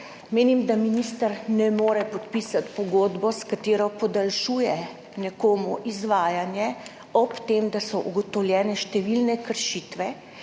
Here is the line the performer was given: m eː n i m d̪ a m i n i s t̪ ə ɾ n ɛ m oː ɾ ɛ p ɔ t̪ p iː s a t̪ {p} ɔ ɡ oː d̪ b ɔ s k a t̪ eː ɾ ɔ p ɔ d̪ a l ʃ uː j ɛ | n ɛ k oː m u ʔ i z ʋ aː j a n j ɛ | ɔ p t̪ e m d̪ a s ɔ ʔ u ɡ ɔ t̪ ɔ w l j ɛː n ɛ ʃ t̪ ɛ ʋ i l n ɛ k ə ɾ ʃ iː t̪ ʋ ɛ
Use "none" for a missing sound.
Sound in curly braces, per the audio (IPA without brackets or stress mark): p